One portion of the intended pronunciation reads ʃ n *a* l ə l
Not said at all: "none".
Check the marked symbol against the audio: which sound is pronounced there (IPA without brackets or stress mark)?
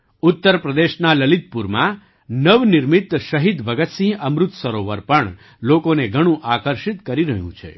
a